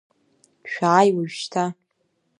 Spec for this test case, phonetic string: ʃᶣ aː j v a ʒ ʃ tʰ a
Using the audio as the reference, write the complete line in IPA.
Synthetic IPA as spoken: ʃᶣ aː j w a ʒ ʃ tʰ a